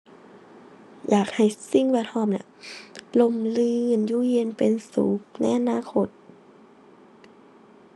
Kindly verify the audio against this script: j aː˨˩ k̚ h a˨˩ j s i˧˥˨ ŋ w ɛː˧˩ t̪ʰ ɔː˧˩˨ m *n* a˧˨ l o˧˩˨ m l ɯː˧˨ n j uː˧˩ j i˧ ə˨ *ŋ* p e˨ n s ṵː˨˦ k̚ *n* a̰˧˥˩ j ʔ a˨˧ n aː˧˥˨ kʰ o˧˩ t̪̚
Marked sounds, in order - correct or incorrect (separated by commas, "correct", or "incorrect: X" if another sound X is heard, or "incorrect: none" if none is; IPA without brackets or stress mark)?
correct, incorrect: n, correct